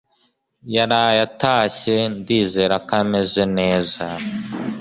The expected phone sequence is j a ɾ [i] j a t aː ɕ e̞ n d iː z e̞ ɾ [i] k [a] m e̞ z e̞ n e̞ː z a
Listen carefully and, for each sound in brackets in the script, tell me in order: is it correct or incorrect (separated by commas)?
incorrect, incorrect, correct